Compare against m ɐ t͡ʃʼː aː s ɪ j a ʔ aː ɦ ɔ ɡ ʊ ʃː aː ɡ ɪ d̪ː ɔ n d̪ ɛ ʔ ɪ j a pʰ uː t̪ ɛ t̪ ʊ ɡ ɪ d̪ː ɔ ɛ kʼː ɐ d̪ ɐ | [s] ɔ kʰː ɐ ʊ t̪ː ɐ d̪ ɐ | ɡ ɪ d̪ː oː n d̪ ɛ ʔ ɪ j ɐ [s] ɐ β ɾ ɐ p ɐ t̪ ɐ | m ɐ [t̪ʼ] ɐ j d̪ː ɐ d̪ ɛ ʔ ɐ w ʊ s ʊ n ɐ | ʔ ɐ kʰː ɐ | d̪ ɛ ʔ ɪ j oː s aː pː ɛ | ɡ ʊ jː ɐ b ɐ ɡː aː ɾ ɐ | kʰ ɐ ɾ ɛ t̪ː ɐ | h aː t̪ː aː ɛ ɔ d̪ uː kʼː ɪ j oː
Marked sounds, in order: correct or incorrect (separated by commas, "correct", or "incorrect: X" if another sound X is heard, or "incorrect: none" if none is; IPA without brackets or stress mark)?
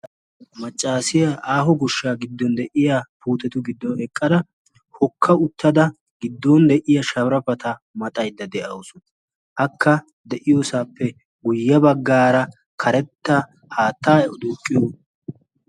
incorrect: h, incorrect: ʃ, correct